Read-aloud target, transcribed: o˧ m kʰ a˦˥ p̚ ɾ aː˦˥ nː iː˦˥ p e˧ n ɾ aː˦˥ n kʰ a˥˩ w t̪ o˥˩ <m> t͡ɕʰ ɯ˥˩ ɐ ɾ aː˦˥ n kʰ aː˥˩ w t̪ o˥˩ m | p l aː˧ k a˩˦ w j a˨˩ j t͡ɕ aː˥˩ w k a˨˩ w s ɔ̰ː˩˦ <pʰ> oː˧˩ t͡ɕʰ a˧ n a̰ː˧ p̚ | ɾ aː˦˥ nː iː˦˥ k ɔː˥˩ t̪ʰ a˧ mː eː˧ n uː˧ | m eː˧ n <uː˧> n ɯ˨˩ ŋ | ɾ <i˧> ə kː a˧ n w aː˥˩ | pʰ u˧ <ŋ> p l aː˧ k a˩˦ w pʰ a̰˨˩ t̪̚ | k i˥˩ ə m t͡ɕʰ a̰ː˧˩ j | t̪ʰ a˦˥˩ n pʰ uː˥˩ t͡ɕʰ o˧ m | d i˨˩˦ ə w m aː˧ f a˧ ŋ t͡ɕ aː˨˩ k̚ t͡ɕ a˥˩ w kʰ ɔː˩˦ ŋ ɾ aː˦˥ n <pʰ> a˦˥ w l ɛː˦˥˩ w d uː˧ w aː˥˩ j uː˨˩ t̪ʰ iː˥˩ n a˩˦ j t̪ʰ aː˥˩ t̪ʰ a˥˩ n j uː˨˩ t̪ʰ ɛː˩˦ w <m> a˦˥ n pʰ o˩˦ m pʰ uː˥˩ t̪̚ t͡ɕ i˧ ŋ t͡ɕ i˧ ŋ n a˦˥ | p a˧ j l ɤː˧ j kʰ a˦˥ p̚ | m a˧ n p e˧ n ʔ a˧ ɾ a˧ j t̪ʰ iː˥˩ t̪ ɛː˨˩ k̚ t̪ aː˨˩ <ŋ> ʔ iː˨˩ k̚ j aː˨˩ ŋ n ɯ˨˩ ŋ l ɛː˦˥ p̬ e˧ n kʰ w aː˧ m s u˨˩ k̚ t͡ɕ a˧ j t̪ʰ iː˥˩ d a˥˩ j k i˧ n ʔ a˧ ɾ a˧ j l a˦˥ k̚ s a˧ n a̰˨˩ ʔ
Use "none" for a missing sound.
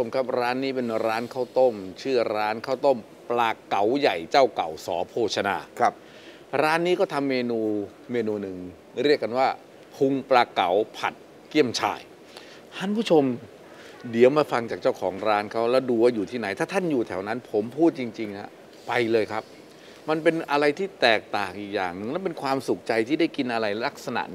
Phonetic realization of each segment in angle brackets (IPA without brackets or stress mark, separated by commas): m, pʰ, uː˧, i˥˩, ŋ, kʰ, n, ŋ